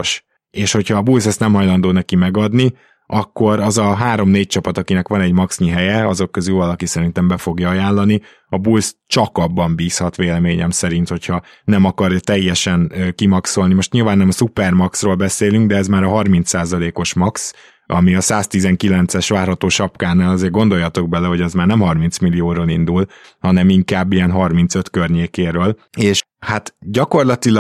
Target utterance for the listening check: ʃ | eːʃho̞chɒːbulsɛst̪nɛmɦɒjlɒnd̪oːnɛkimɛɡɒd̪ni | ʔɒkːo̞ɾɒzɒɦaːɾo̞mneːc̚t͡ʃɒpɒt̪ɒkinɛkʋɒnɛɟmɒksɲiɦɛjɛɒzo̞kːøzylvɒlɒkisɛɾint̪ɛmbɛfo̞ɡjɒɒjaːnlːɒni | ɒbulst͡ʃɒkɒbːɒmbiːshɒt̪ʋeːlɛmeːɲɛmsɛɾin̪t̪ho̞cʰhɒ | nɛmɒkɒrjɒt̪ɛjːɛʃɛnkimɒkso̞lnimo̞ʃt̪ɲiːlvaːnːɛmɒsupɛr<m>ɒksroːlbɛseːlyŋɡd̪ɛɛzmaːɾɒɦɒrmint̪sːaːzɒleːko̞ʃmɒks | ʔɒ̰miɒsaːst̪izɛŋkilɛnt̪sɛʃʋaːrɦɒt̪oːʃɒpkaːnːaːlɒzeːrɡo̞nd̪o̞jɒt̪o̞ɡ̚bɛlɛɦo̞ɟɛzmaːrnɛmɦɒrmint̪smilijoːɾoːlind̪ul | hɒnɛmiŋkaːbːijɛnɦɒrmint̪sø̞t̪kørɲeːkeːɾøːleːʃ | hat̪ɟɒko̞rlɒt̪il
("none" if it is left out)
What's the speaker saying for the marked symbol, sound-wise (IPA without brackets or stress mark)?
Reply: m